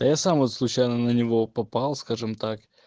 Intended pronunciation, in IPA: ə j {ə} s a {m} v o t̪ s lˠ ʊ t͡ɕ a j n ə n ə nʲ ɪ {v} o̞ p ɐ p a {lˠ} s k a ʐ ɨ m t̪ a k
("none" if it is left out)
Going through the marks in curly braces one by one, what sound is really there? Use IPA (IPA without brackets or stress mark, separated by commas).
a, m, v, lˠ